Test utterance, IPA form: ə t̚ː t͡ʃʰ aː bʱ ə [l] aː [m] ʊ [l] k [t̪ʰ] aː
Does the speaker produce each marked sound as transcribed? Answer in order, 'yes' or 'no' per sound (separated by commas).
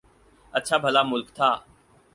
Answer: yes, yes, yes, yes